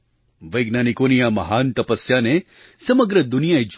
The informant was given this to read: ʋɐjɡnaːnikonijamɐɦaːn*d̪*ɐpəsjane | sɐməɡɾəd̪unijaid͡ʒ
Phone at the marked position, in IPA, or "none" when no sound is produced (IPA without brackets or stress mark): t̪